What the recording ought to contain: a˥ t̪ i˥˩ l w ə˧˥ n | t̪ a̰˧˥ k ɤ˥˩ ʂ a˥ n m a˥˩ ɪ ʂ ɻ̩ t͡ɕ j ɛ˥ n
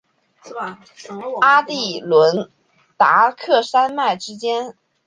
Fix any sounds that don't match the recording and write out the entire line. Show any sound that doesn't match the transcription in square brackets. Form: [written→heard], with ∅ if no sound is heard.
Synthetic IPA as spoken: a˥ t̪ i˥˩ l w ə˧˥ n | t̪ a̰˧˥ [k→kʰ] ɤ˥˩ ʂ a˥ n m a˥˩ ɪ [ʂ→ʈ͡ʂ] ɻ̩ t͡ɕ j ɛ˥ n